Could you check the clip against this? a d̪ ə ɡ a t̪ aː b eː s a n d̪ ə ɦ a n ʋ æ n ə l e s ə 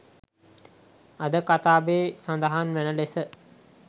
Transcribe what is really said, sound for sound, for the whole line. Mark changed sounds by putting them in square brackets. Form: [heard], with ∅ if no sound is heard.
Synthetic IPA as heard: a d̪ ə [k] a t̪ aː b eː s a n d̪ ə ɦ a n ʋ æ n ə l e s ə